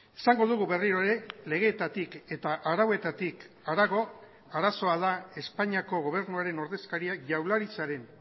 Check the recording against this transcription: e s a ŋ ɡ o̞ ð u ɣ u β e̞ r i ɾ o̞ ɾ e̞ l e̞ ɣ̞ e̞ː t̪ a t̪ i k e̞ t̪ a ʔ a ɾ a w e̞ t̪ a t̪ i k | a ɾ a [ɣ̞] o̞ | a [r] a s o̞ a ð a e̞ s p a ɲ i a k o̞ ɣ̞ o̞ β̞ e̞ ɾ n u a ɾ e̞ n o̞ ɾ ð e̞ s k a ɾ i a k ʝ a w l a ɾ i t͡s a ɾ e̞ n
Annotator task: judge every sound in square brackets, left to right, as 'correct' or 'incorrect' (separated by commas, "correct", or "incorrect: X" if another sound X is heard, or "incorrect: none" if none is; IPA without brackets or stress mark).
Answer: correct, incorrect: ɾ